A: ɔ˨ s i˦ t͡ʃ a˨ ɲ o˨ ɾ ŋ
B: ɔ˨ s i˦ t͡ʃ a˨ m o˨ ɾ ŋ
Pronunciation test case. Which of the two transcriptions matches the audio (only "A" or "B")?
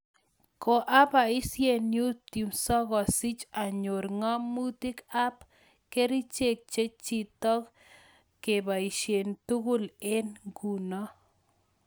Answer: A